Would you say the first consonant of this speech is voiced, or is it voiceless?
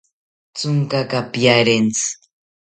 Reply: voiceless